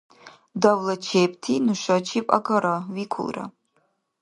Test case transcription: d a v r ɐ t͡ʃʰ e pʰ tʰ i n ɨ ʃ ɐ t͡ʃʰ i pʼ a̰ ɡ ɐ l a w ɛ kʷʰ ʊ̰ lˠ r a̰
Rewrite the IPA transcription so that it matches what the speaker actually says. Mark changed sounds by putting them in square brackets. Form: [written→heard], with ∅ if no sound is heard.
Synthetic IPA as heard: d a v [r→l] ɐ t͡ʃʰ e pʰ tʰ i n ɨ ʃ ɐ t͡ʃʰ i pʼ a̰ ɡ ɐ [l→ɾ] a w [ɛ→i] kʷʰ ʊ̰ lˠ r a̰